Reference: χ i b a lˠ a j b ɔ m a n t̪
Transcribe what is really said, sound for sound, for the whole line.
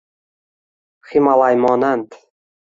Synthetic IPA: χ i m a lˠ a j m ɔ n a n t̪